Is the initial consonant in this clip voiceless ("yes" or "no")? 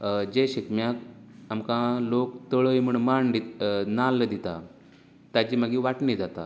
no